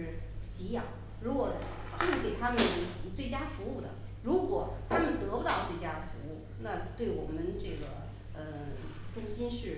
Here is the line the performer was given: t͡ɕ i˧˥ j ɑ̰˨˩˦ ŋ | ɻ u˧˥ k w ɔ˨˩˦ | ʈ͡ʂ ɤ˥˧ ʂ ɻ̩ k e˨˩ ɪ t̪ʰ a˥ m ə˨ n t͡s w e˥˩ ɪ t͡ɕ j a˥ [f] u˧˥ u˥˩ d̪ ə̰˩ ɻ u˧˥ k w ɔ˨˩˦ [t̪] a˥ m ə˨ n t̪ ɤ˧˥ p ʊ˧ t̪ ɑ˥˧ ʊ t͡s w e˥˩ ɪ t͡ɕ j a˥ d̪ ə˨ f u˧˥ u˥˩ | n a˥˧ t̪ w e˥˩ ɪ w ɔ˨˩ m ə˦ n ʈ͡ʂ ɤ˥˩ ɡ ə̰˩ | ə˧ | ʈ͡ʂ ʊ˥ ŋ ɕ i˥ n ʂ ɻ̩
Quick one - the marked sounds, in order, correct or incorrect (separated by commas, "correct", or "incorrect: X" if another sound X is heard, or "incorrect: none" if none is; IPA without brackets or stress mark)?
correct, incorrect: t̪ʰ